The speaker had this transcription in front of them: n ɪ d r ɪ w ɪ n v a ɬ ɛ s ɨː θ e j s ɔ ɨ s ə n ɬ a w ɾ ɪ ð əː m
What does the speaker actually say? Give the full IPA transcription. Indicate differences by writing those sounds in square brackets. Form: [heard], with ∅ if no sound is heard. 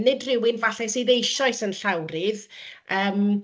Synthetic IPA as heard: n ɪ d r ɪ w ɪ n v a ɬ ɛ s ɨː [ð] e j [ʃ] ɔ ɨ s ə n ɬ a w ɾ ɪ ð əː m